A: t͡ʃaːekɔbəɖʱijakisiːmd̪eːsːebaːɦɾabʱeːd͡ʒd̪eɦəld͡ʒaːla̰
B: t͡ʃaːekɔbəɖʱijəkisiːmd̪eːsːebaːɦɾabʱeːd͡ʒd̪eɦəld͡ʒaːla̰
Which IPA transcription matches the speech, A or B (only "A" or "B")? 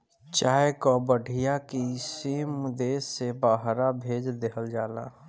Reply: A